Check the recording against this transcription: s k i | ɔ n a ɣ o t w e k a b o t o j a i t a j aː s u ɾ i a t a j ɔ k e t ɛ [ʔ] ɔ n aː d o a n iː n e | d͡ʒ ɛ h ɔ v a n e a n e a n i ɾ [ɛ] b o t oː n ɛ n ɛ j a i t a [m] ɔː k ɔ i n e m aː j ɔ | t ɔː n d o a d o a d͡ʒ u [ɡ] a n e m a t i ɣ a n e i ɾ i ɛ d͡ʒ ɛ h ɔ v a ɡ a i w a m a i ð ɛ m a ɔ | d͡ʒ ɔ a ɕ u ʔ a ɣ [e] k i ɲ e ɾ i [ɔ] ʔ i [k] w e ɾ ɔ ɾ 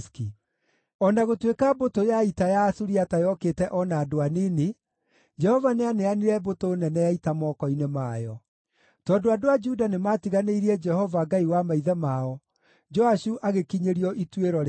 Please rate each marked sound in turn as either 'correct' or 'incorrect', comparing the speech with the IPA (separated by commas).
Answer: correct, correct, correct, incorrect, correct, correct, incorrect